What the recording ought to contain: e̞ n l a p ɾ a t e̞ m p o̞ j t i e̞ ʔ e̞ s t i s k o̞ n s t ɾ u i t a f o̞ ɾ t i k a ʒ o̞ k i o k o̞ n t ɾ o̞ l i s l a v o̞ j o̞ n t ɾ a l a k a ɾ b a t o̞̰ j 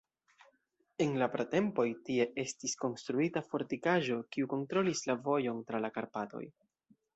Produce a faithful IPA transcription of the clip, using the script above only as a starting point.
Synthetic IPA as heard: e̞ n l a p ɾ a t e̞ m p o̞ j t i e̞ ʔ e̞ s t i s k o̞ n s t ɾ u i t a f o̞ ɾ t i k a ʒ o̞ k i u k o̞ n t ɾ o̞ l i s l a v o̞ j o̞ n t ɾ a l a k a ɾ p a t o̞̰ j